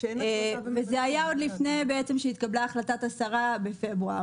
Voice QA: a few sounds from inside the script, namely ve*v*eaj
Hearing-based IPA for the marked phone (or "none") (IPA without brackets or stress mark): z